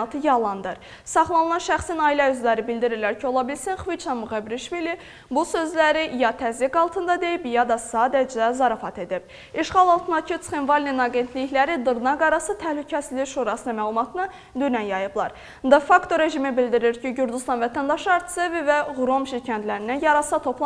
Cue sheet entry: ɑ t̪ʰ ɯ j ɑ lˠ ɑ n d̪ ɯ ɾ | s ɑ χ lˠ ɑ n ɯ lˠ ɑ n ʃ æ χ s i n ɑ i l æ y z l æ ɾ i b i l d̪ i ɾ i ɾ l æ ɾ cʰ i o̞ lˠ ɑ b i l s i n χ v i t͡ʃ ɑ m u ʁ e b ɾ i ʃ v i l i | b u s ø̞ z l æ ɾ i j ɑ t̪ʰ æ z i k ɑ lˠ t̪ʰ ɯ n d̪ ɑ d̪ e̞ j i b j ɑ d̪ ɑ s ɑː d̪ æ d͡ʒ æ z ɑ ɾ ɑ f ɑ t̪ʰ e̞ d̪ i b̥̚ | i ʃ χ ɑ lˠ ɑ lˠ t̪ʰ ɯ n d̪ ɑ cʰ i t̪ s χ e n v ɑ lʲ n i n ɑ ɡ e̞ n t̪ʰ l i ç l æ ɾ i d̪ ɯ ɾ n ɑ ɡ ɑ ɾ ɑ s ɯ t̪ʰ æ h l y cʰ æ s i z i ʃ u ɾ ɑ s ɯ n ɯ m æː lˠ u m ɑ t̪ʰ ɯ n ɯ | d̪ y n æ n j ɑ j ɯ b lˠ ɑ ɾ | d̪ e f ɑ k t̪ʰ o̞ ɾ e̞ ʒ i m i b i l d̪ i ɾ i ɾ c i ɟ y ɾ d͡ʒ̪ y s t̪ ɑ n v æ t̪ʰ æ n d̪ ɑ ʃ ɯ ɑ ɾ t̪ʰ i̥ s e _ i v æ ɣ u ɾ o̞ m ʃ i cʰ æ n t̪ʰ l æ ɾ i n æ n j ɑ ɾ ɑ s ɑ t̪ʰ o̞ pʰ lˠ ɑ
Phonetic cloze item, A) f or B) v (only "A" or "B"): B